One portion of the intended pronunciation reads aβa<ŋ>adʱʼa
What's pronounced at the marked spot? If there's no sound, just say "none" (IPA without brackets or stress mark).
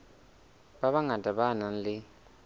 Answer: ŋ